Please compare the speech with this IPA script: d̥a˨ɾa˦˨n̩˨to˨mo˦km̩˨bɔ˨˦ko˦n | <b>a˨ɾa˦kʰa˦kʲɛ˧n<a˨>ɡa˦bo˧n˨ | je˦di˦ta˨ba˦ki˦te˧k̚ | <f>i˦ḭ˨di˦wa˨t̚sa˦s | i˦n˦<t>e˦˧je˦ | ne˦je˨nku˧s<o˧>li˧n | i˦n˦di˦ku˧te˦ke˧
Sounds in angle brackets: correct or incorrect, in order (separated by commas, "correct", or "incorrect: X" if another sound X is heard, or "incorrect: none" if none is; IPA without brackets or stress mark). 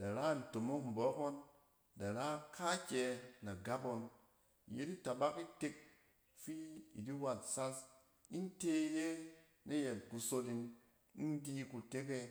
incorrect: d, correct, correct, correct, correct